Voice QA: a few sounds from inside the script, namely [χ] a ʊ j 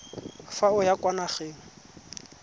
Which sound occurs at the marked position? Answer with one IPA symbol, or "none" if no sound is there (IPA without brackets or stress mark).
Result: f